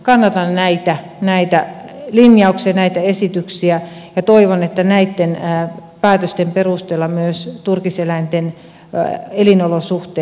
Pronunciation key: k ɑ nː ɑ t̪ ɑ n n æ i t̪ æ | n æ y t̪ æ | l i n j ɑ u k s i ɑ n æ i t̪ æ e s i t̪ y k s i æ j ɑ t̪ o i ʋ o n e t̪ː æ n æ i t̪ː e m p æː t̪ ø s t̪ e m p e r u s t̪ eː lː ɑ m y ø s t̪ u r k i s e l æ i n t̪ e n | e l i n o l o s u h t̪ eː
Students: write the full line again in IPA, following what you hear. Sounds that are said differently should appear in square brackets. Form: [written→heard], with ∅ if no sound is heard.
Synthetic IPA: k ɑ nː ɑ t̪ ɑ n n æ i t̪ æ | n æ [y→i] t̪ æ | l i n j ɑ u k s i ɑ n æ i t̪ æ e s i t̪ y k s i æ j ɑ t̪ o i ʋ o n e t̪ː æ n æ i t̪ː e [m→n] p æː t̪ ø s t̪ e m p e r u s t̪ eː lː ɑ m y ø s t̪ u r k i s e l æ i n t̪ e n | e l i n o l o s u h t̪ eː